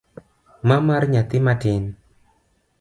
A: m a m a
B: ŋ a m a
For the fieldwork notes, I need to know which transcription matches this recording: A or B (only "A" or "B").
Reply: A